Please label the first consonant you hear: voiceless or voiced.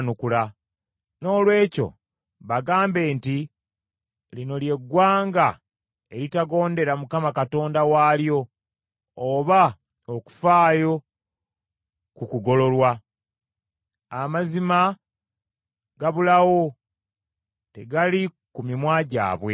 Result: voiced